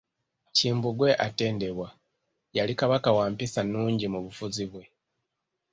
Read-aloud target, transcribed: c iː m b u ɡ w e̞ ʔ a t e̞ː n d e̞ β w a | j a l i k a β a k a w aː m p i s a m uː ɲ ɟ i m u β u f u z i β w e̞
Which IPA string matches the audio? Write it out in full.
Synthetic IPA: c iː m b u ɡ w e̞ ʔ a t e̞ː n d e̞ β w a | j a l i k a β a k a w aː m p i s a n uː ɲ ɟ i m u β u f u z i β w e̞